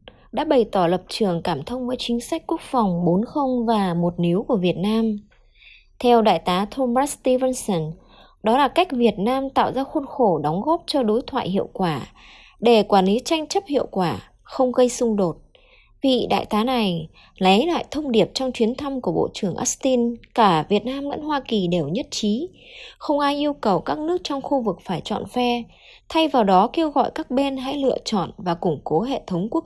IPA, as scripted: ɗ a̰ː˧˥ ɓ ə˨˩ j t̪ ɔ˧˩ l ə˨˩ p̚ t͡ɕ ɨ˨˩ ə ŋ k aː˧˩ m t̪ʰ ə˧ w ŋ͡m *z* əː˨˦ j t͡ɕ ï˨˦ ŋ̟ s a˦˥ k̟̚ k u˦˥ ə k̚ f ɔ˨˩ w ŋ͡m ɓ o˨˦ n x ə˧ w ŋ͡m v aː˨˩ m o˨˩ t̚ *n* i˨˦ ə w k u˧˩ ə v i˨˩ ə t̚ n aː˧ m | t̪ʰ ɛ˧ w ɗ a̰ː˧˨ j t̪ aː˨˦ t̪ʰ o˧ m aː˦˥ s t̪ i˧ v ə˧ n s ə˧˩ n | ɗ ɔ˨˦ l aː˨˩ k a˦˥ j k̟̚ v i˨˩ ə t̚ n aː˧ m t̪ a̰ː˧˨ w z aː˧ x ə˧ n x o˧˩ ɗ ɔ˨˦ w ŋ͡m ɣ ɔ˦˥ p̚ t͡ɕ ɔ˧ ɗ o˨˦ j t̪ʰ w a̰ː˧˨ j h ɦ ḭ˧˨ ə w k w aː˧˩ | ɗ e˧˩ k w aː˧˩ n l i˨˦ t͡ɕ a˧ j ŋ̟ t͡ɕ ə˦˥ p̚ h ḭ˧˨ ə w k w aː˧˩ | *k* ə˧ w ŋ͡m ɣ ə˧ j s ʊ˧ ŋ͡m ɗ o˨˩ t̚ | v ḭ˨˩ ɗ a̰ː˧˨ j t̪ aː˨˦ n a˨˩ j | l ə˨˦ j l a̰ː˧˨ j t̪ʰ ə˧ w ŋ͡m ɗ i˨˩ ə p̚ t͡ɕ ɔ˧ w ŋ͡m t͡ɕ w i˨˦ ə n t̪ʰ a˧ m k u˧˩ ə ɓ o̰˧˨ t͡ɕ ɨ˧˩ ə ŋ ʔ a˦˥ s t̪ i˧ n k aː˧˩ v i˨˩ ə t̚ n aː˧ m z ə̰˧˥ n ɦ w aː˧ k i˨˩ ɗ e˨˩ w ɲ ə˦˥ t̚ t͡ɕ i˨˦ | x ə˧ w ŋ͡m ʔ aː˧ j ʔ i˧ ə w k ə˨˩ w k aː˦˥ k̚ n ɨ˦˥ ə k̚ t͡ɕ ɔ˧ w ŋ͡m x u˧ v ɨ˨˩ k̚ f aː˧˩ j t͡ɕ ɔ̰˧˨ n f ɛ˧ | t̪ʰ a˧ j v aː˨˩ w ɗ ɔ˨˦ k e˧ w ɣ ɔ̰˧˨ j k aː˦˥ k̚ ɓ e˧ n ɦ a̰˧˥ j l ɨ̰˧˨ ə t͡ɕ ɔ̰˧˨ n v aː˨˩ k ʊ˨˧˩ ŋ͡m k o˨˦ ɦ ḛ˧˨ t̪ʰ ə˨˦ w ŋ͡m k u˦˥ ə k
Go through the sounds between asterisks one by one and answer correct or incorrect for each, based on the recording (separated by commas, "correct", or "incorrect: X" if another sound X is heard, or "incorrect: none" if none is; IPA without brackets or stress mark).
incorrect: v, correct, incorrect: x